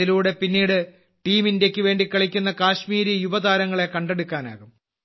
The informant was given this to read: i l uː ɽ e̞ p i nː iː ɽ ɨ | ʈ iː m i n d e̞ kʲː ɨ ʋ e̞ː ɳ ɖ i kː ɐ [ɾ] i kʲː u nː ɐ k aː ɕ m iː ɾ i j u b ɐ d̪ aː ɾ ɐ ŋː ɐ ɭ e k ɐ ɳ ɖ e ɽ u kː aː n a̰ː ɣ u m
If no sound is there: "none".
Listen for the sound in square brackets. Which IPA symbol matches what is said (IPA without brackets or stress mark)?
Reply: ɭ